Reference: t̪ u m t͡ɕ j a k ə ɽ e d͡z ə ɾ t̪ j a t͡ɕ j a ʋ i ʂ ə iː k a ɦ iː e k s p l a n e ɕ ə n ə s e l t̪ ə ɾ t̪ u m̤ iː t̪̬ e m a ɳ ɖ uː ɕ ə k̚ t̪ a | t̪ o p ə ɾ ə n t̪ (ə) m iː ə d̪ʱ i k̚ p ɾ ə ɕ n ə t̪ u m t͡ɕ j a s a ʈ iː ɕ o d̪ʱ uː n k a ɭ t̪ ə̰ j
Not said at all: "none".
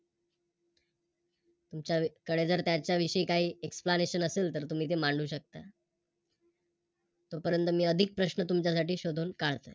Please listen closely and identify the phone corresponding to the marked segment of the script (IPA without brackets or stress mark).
ə